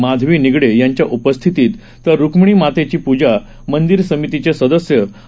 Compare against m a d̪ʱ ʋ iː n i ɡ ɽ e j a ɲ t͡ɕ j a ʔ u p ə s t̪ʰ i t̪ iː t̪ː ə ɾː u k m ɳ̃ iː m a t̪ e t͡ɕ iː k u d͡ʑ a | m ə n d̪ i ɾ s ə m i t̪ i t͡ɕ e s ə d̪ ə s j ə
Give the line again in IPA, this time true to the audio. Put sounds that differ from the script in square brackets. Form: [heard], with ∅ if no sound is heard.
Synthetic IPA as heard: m a d̪ʱ ʋ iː n i ɡ ɽ e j a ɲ t͡ɕ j a ʔ u p ə s t̪ʰ i t̪ iː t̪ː ə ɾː u k m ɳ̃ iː m a t̪ e t͡ɕ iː [p] u d͡ʑ a | m ə n d̪ i ɾ s ə m i t̪ i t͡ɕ e s ə d̪ ə s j ə